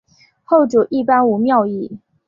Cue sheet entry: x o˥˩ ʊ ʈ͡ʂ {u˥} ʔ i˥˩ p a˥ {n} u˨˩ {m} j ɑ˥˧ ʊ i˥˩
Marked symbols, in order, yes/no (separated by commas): no, yes, yes